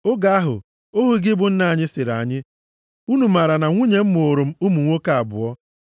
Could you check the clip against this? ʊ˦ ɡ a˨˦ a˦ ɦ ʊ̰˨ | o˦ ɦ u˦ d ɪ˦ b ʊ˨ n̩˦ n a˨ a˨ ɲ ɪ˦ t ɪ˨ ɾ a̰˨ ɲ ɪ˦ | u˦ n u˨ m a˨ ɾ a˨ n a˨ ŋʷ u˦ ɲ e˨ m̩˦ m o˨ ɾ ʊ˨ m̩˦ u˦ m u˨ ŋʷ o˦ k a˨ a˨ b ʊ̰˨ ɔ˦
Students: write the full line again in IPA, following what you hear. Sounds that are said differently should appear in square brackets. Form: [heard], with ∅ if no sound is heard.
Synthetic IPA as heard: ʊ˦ ɡ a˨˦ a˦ ɦ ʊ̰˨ | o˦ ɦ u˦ [ɡ] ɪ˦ b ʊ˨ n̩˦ n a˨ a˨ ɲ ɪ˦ [s] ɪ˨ ɾ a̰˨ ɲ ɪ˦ | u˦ n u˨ m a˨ ɾ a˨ n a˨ ŋʷ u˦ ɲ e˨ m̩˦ m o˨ ɾ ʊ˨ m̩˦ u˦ m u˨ ŋʷ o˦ k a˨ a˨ b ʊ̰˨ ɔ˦